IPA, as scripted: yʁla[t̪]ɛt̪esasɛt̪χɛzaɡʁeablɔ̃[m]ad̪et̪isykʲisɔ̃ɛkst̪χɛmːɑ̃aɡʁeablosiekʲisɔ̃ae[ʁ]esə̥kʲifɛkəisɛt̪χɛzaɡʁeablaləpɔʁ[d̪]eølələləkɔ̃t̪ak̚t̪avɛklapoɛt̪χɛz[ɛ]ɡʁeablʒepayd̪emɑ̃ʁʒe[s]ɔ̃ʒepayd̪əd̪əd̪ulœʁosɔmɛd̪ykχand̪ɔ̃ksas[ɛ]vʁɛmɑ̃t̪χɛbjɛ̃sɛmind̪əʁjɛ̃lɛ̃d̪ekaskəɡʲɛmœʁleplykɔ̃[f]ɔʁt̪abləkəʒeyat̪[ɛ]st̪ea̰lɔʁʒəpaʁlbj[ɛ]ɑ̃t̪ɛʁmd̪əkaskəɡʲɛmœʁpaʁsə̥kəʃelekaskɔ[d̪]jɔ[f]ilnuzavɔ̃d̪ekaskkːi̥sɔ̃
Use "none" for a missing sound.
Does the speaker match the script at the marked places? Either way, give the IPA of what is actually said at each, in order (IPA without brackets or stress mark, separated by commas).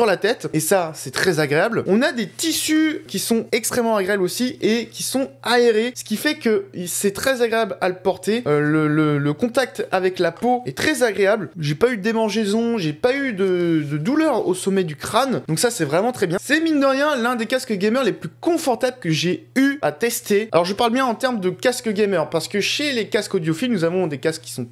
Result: t̪, n, ʁ, t̪, a, z, ɛ, f, ɛ, ɛ̃, d̪, f